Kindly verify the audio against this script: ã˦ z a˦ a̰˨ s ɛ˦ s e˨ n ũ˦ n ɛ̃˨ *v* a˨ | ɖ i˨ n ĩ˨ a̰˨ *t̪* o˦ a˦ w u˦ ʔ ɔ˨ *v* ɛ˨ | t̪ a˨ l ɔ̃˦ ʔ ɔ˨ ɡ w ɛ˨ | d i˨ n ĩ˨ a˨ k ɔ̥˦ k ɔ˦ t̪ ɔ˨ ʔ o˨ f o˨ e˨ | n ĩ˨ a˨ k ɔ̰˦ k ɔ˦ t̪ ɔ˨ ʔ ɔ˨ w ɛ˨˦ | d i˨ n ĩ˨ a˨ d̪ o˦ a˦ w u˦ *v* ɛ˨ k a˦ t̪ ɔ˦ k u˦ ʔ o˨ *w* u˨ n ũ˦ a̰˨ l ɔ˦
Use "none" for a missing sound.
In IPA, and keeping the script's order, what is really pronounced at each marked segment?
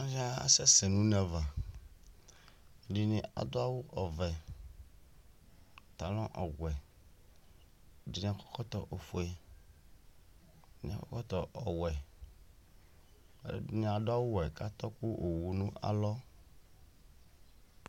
v, d̪, v, w, w

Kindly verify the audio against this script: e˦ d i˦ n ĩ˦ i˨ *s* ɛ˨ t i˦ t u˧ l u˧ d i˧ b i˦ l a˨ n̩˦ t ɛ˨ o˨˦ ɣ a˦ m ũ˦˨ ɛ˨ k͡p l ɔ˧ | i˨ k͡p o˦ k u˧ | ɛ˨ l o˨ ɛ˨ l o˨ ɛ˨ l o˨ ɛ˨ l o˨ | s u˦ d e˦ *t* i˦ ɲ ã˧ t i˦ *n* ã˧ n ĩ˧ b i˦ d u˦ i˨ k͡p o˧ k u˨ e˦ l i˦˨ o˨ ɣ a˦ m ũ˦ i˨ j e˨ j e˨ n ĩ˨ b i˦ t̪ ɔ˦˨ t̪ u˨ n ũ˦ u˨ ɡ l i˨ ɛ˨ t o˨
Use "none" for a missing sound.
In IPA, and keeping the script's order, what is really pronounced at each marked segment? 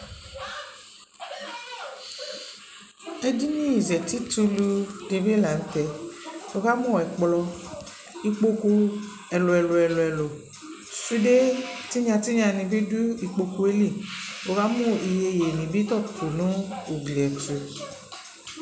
z, t, ɲ

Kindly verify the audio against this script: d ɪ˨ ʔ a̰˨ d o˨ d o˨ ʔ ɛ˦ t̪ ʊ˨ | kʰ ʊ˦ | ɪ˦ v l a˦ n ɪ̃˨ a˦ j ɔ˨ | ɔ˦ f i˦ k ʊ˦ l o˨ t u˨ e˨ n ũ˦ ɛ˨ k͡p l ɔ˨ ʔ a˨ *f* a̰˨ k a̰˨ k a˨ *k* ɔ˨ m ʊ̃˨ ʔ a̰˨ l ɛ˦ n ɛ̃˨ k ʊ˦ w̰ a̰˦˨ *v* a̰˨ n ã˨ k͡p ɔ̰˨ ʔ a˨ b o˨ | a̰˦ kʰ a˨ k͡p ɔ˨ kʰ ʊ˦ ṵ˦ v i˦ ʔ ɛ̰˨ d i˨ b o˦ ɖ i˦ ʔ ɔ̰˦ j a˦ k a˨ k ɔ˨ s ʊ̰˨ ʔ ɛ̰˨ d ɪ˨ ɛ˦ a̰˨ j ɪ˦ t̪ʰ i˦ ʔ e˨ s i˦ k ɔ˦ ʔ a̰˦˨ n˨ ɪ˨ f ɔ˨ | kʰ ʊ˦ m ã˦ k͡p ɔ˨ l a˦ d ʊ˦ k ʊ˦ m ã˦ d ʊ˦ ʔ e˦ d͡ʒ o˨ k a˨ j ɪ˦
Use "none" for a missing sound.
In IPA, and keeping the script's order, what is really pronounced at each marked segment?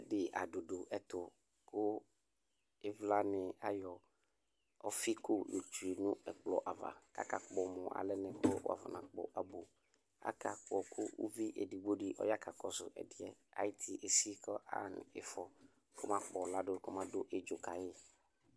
v, k͡p, v

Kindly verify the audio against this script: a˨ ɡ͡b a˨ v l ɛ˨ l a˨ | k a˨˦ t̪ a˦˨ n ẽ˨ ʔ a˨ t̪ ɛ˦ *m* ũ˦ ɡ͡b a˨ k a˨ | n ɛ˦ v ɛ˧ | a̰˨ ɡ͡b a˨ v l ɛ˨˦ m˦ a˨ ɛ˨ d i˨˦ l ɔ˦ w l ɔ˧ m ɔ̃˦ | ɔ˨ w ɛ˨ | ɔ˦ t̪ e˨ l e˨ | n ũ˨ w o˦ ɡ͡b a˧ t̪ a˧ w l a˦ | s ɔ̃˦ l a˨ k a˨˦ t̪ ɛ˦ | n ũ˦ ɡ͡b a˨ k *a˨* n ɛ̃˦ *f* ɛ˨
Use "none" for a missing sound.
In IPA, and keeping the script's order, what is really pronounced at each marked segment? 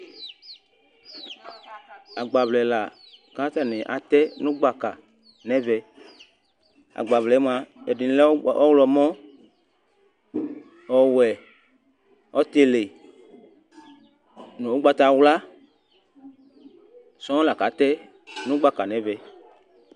n, a˨, v

